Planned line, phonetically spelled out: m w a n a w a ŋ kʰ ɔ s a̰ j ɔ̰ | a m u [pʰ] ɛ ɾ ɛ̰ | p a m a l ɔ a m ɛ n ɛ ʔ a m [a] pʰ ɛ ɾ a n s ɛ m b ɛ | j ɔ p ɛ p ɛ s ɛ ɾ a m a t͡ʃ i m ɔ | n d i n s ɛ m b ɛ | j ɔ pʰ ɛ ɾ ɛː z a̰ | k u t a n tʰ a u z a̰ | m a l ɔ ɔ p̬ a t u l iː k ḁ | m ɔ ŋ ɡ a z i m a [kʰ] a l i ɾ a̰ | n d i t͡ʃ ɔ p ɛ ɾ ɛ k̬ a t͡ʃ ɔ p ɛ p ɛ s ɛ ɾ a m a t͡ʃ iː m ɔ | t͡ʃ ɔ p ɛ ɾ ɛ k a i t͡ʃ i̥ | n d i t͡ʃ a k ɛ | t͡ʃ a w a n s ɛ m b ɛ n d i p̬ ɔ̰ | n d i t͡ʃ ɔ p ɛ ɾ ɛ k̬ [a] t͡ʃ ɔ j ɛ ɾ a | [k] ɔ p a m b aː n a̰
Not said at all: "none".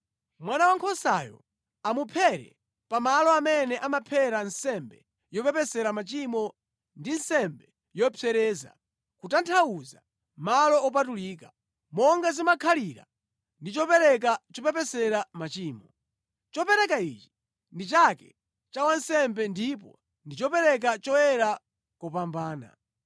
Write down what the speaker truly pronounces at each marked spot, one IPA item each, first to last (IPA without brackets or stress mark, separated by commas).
pʰ, a, kʰ, a, k